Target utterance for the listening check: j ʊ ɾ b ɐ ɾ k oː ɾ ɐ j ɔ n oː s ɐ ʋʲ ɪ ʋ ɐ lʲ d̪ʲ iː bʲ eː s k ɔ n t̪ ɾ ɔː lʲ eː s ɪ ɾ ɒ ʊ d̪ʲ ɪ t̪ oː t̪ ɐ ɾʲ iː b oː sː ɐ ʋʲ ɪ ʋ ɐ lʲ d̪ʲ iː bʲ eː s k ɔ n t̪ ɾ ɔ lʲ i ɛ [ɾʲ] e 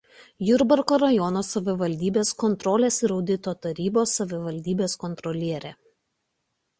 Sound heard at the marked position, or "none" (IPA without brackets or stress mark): ɾʲ